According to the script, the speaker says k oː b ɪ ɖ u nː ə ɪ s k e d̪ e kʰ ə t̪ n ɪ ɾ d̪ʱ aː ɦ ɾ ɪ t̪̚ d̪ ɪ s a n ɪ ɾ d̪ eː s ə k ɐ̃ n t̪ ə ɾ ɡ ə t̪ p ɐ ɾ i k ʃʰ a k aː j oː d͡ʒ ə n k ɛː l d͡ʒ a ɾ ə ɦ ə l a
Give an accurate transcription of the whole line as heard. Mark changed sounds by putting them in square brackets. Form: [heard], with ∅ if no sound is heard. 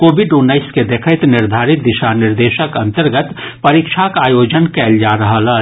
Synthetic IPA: k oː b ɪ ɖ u nː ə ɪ s k e d̪ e kʰ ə t̪ n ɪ ɾ d̪ʱ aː [∅] ɾ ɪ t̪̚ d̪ ɪ [ʃ] a n ɪ ɾ d̪ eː [ʃ] ə k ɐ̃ n t̪ ə ɾ ɡ ə t̪ p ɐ ɾ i k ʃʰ a k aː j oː d͡ʒ ə n k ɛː l d͡ʒ a ɾ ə ɦ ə l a